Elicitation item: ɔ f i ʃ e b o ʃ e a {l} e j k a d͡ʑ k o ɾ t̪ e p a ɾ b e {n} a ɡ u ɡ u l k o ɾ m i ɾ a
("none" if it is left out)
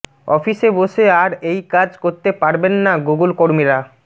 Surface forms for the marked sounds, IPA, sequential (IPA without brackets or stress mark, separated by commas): ɾ, nː